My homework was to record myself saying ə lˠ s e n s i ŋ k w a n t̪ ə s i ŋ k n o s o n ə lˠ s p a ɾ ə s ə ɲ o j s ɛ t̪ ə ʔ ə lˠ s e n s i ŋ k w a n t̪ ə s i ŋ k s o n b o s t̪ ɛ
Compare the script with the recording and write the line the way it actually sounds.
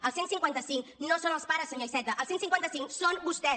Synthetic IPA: ə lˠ s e n s i ŋ k w a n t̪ ə s i ŋ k n o s o n ə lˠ s p a ɾ ə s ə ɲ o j s ɛ t̪ ə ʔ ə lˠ s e n s i ŋ k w a n t̪ ə s i ŋ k s o n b u s t̪ ɛ